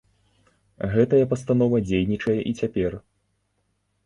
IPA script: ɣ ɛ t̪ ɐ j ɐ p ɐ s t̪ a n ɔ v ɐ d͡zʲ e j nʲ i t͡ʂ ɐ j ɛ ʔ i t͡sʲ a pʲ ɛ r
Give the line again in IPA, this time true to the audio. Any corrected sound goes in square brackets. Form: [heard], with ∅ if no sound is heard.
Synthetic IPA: ɣ ɛ t̪ ɐ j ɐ p ɐ s t̪ a n ɔ v ɐ d͡zʲ e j nʲ i t͡ʂ ɐ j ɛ ʔ i t͡sʲ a pʲ ɛ r

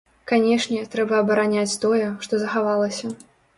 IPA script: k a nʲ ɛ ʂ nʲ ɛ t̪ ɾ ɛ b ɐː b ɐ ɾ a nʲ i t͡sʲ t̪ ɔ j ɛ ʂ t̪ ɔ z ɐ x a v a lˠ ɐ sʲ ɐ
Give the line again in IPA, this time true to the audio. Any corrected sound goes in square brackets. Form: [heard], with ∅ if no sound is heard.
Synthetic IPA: k a nʲ ɛ ʂ nʲ ɛ t̪ ɾ ɛ b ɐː b ɐ ɾ a nʲ [a] t͡sʲ t̪ ɔ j ɛ ʂ t̪ ɔ z ɐ x a v a lˠ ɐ sʲ ɐ

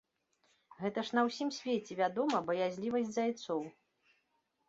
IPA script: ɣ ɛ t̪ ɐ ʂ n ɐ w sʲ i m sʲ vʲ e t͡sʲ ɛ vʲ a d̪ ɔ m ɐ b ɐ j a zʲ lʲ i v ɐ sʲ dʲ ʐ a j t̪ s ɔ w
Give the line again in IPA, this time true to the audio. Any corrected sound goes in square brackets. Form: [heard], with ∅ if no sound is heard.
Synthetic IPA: ɣ ɛ t̪ ɐ ʂ n ɐ w sʲ i m sʲ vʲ e t͡sʲ ɛ vʲ a d̪ ɔ m ɐ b ɐ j a zʲ lʲ i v ɐ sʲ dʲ [z] a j t̪ s ɔ w

